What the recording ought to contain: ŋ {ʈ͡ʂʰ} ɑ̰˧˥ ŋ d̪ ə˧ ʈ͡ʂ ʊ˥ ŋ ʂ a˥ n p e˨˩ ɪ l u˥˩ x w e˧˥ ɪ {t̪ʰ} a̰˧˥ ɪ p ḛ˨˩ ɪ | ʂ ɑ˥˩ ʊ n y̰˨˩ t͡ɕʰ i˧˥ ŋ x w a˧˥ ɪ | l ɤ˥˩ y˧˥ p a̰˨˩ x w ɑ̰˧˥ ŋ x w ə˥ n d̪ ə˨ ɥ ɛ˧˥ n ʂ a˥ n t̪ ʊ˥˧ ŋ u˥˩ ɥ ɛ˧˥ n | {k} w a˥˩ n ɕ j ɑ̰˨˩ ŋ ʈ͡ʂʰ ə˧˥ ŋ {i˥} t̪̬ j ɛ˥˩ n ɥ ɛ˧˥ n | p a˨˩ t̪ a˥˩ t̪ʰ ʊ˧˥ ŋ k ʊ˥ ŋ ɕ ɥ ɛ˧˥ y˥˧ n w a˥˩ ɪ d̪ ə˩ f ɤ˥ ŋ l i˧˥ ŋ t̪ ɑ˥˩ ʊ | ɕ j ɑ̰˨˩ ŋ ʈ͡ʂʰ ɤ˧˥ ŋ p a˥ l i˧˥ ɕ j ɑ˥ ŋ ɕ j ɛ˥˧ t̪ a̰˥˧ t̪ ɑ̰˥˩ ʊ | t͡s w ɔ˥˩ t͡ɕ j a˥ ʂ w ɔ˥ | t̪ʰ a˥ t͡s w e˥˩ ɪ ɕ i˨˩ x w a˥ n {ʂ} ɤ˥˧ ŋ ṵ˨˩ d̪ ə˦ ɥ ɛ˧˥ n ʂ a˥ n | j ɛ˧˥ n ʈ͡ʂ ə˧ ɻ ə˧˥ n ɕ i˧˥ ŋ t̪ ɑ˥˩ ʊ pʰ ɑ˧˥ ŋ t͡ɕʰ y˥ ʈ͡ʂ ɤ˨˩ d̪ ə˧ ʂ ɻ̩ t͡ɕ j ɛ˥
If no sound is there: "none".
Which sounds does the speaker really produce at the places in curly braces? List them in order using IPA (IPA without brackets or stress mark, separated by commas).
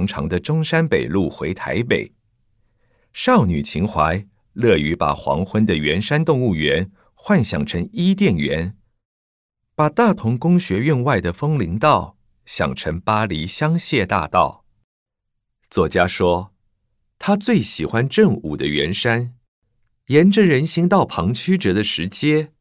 ʈ͡ʂʰ, t̪ʰ, x, i˥, ʈ͡ʂ